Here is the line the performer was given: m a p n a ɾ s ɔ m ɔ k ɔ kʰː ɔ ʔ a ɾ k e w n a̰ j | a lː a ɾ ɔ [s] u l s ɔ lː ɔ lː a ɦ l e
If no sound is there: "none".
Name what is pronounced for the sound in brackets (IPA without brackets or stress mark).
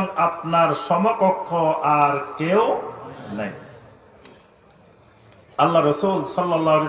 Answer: s